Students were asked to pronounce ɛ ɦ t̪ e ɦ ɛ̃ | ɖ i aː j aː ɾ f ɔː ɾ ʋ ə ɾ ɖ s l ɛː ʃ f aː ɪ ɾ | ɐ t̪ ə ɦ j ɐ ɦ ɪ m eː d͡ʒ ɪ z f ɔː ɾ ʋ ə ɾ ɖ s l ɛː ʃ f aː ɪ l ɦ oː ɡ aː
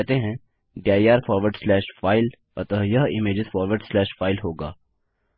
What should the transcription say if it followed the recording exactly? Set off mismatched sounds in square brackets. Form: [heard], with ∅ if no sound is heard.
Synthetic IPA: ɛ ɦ t̪ e ɦ ɛ̃ | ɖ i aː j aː ɾ f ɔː ɾ ʋ ə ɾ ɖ s l ɛː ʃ f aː ɪ [l] | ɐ t̪ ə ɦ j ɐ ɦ ɪ m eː d͡ʒ ɪ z f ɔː ɾ ʋ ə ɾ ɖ s l ɛː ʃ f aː ɪ l ɦ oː ɡ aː

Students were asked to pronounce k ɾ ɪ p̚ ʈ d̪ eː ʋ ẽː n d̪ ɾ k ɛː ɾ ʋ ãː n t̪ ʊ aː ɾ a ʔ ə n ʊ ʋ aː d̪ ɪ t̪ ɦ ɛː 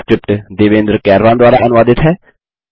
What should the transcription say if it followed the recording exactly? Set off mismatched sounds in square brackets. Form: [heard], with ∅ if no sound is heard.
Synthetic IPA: k ɾ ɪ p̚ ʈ d̪ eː ʋ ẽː n d̪ ɾ k ɛː ɾ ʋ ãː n [d̪] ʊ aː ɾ a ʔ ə n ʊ ʋ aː d̪ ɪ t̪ ɦ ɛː

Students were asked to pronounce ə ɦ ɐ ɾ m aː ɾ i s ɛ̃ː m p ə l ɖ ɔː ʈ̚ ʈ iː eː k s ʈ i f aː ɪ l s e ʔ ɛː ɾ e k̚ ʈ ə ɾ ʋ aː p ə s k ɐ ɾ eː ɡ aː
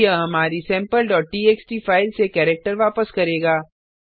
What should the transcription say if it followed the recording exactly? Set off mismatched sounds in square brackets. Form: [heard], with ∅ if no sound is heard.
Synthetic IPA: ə ɦ ɐ [∅] m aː ɾ i s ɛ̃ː m p ə l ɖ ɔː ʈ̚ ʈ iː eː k s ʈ i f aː ɪ l s e [k] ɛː ɾ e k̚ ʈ ə ɾ ʋ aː p ə s k ɐ ɾ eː ɡ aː

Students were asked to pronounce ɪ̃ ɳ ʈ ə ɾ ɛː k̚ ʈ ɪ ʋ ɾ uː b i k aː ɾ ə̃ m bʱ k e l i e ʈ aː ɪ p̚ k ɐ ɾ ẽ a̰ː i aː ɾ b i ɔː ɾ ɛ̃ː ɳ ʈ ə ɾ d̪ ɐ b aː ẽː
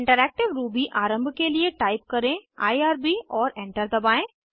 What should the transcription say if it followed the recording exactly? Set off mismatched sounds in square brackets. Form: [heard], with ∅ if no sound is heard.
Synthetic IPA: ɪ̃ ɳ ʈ ə ɾ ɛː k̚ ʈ ɪ ʋ ɾ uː b i [ʔ] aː ɾ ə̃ m bʱ k e l i e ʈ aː ɪ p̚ k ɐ ɾ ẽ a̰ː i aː ɾ b i ɔː ɾ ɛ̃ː ɳ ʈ ə ɾ d̪ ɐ b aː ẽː

